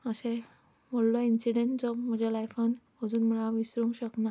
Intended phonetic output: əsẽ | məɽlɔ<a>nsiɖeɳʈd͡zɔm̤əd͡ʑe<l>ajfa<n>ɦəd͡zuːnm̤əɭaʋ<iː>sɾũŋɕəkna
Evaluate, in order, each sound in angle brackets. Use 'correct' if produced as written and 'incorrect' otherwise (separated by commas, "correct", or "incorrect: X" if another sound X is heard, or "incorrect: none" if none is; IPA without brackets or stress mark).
incorrect: i, correct, correct, incorrect: i